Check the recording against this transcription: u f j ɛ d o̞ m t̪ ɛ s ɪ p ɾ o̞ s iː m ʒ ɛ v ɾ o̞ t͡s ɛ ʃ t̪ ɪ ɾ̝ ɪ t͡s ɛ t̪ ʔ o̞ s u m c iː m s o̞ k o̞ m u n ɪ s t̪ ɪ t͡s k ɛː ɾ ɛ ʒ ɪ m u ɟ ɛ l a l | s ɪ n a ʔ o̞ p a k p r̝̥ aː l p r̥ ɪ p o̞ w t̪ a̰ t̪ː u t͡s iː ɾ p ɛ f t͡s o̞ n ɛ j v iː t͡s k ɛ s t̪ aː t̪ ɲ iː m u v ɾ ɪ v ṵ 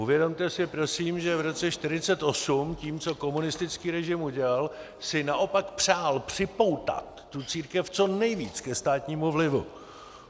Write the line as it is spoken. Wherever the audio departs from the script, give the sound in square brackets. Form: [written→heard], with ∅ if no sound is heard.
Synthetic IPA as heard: u [f→v] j ɛ d o̞ m t̪ ɛ s ɪ p ɾ o̞ s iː m ʒ ɛ v ɾ o̞ t͡s ɛ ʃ t̪ ɪ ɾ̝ ɪ t͡s ɛ t̪ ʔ o̞ s u m c iː m [s→t͡s] o̞ k o̞ m u n ɪ s t̪ ɪ t͡s k [ɛː→iː] ɾ ɛ ʒ ɪ m u ɟ ɛ l a l | s ɪ n a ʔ o̞ p a k p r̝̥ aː l p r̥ ɪ p o̞ w t̪ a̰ t̪ː u t͡s iː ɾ [p→k] ɛ f t͡s o̞ n ɛ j v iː t͡s k ɛ s t̪ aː t̪ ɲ iː m u v [ɾ→l] ɪ v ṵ